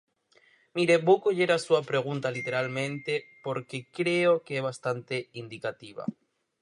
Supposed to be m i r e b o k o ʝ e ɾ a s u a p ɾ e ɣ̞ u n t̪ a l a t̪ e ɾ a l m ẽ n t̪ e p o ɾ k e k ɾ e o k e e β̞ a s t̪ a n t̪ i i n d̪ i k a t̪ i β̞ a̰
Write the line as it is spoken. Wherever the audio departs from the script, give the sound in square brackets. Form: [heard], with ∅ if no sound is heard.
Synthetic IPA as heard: m i [ɾ] e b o k o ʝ e ɾ a s u a p ɾ e ɣ̞ u n t̪ a l [i] t̪ e ɾ a l m ẽ n t̪ e p o ɾ k e k ɾ e o k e e β̞ a s t̪ a n t̪ [e] i n d̪ i k a t̪ i β̞ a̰